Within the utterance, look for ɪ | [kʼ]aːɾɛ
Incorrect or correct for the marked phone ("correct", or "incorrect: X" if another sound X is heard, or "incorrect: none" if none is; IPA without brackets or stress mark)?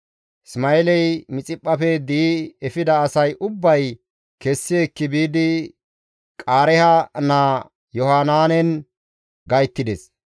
correct